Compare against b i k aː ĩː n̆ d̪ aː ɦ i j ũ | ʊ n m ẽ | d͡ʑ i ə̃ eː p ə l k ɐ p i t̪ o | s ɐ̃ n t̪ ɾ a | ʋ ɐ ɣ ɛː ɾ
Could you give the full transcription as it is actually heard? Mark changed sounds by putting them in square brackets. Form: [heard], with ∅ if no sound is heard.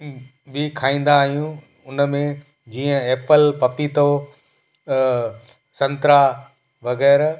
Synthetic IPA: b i [kʰ] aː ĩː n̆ d̪ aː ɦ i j ũ | ʊ n m ẽ | d͡ʑ [iː] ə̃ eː p ə l [p] ɐ p i t̪ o | s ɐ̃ n t̪ ɾ a | ʋ ɐ ɣ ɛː ɾ

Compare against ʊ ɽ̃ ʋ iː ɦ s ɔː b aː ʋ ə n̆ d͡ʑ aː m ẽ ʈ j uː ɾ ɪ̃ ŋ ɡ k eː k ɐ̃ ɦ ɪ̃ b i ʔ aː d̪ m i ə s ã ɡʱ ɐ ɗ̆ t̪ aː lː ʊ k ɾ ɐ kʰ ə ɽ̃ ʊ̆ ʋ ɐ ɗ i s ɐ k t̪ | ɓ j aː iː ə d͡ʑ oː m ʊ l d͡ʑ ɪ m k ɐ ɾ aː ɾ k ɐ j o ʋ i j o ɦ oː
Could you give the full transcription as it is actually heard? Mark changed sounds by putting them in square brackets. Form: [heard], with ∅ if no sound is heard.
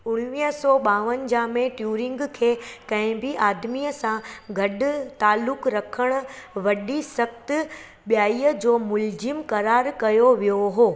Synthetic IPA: ʊ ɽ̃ ʋ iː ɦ s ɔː [ɓ] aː ʋ ə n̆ d͡ʑ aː m ẽ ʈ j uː ɾ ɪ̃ ŋ ɡ [kʰ] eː k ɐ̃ ɦ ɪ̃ b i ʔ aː d̪ m i ə s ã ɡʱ ɐ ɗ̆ t̪ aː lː ʊ k ɾ ɐ kʰ ə ɽ̃ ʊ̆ ʋ ɐ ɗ i s ɐ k t̪ | ɓ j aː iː ə d͡ʑ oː m ʊ l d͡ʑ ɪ m k ɐ ɾ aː ɾ k ɐ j o ʋ i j o ɦ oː

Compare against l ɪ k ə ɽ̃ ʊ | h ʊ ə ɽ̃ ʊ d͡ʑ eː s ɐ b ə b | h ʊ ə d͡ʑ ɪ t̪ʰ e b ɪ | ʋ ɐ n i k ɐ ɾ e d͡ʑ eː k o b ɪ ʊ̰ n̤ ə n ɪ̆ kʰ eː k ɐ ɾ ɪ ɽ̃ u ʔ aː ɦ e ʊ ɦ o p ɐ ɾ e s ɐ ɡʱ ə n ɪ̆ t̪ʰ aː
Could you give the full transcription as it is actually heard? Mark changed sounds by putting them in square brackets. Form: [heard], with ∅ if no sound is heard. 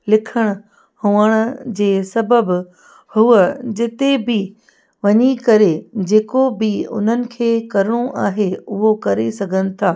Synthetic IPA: l ɪ [kʰ] ə ɽ̃ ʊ | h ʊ ə ɽ̃ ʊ d͡ʑ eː s ɐ b ə b | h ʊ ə d͡ʑ ɪ [t̪] e b ɪ | ʋ ɐ [ɲ] i k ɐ ɾ e d͡ʑ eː k o b ɪ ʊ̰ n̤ ə n ɪ̆ kʰ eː k ɐ ɾ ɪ ɽ̃ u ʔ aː ɦ e ʊ ɦ o [k] ɐ ɾ e s ɐ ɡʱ ə n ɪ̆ t̪ʰ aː

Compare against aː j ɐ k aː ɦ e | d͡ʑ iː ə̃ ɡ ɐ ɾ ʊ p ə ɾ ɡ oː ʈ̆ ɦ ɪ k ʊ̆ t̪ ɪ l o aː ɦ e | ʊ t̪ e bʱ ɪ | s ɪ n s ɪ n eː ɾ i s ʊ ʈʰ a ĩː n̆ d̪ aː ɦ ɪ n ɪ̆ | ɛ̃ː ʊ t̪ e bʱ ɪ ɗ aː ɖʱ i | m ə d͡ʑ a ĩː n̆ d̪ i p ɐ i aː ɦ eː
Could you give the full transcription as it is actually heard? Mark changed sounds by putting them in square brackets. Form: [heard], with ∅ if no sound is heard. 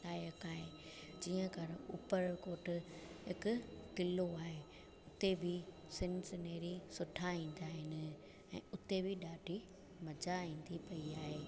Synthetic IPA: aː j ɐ k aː ɦ e | d͡ʑ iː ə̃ [k] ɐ ɾ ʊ p ə ɾ [k] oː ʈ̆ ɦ ɪ k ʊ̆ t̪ ɪ l o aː ɦ e | ʊ t̪ e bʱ ɪ | s ɪ n s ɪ n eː ɾ i s ʊ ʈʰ a ĩː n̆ d̪ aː ɦ ɪ n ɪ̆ | ɛ̃ː ʊ t̪ e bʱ ɪ ɗ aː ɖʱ i | m [ɐ] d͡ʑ a ĩː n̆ d̪ i p ɐ i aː ɦ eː

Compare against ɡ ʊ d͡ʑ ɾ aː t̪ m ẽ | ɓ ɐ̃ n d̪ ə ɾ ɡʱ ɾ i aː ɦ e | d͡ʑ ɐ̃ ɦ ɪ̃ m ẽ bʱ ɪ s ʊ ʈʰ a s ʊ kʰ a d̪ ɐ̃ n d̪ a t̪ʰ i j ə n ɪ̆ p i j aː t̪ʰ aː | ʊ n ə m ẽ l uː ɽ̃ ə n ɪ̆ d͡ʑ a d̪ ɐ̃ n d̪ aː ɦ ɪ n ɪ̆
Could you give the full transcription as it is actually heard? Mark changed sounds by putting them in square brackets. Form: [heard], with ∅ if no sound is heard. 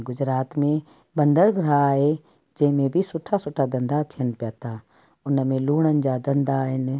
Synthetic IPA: ɡ ʊ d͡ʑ ɾ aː t̪ m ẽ | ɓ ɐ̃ n d̪ ə ɾ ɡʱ ɾ [a] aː ɦ e | d͡ʑ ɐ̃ ɦ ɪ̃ m ẽ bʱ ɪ s ʊ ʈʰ a s ʊ [ʈʰ] a d̪ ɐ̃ n d̪ a t̪ʰ i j ə n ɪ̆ p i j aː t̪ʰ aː | ʊ n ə m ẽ l uː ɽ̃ ə n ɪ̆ d͡ʑ a d̪ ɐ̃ n d̪ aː ɦ ɪ n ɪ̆

